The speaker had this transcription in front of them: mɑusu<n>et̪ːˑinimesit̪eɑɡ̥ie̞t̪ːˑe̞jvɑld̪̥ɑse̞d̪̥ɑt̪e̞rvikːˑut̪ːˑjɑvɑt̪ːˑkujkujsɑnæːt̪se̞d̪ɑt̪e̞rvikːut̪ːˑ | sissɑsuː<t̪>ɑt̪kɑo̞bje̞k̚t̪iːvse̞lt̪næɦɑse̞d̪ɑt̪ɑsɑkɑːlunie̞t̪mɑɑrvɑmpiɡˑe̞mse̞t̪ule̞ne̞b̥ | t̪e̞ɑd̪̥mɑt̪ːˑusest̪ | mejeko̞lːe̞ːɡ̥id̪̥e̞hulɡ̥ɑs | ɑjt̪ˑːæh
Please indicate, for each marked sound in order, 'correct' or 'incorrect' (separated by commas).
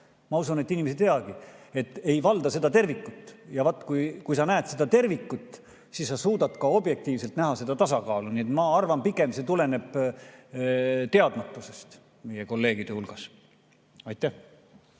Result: correct, incorrect